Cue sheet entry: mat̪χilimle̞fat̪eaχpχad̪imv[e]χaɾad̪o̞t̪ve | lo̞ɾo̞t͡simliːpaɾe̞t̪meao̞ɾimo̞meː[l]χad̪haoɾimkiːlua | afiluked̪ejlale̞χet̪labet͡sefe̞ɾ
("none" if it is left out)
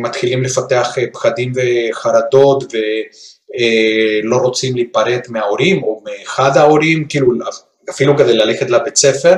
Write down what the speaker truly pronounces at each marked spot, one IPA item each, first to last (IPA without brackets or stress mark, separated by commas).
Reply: e, none